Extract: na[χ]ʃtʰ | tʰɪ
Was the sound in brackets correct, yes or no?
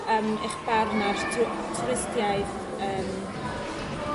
no